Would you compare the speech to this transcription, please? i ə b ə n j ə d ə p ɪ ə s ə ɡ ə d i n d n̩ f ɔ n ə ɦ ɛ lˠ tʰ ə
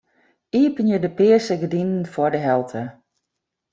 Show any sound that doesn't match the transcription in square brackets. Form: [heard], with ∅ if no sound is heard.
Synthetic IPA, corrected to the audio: i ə [p] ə n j ə d ə p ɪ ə s ə ɡ ə d i n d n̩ f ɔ [d] ə ɦ ɛ lˠ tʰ ə